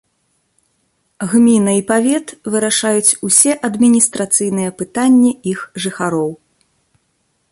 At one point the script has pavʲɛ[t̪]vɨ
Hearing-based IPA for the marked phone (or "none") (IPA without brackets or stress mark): t̪